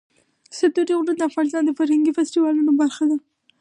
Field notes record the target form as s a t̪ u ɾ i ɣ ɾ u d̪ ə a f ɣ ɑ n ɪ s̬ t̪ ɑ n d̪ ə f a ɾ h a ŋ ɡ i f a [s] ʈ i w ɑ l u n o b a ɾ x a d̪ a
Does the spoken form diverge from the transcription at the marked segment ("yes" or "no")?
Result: no